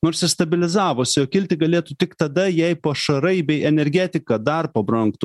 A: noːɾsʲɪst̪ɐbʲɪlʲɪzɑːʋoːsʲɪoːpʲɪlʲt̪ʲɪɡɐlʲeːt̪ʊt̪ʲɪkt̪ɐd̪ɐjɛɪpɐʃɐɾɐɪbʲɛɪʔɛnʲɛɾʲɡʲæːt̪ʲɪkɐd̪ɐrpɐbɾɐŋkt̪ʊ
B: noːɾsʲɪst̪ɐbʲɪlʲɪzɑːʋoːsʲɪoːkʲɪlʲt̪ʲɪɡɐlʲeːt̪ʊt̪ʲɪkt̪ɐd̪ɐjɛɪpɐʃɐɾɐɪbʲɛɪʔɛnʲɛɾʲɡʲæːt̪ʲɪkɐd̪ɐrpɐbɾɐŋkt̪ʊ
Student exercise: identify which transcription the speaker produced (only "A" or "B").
B